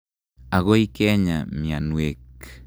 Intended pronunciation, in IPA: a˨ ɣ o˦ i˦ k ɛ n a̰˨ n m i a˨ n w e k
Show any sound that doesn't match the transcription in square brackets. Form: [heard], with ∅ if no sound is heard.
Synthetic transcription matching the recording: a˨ ɣ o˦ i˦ k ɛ [ɲ] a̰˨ [∅] m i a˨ n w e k